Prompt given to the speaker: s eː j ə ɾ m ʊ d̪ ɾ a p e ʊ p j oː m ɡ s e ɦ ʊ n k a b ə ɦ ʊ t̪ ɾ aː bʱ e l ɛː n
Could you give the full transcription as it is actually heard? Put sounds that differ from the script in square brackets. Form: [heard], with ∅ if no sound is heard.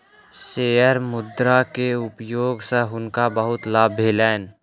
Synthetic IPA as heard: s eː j ə ɾ m ʊ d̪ ɾ a [k] e ʊ p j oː [∅] ɡ s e ɦ ʊ n k a b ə ɦ ʊ t̪ [l] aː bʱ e l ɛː n